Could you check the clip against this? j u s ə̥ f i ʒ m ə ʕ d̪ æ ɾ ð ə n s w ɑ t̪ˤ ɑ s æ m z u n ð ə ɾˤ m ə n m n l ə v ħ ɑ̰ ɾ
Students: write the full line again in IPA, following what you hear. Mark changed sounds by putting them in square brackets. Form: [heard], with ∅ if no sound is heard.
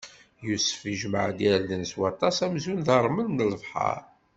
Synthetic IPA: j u s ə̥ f i ʒ m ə ʕ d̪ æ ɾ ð ə n s w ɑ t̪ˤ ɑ s æ m z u n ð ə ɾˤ m ə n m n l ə v ħ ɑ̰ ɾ